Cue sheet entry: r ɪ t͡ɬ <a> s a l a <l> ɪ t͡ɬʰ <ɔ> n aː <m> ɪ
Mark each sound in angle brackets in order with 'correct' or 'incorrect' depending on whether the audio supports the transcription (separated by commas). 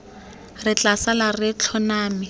correct, incorrect, correct, correct